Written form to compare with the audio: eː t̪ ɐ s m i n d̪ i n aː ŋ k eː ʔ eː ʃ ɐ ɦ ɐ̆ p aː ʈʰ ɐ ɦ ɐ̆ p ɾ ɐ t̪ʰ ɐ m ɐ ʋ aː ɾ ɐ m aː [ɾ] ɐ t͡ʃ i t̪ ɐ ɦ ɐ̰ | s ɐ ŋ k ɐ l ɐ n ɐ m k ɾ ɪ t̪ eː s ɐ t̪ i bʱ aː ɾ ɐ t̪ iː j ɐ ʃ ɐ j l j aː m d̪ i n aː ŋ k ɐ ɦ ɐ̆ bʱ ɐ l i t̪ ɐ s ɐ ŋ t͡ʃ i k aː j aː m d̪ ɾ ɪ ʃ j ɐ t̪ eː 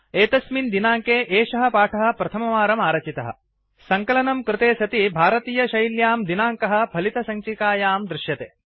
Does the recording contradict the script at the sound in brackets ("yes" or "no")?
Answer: no